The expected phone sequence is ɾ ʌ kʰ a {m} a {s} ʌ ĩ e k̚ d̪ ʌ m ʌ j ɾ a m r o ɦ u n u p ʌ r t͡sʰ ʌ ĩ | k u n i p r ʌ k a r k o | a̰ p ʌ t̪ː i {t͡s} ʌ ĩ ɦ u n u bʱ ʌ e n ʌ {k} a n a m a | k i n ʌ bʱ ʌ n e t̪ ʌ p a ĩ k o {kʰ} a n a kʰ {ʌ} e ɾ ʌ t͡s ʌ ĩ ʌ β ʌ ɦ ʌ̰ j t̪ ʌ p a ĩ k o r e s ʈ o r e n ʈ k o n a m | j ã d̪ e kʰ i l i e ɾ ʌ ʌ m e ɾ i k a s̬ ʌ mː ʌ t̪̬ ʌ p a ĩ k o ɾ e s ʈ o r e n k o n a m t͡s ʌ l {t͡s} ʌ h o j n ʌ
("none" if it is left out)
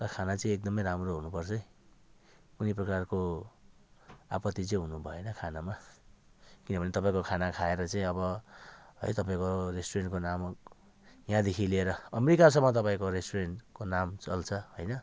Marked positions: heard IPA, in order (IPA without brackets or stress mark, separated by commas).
n, t͡s, t͡s, kʰ, kʰ, a, t͡sʰ